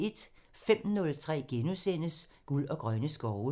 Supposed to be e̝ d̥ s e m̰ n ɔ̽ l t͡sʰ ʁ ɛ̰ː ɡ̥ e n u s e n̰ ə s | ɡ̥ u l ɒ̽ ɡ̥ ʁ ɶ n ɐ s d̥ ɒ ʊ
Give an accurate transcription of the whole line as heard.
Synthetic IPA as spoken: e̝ d̥ f e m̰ n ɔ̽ l t͡sʰ ʁ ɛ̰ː ɡ̥ e n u s e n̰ ə s | ɡ̥ u l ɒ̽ ɡ̥ ʁ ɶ n ə s ɡ̥ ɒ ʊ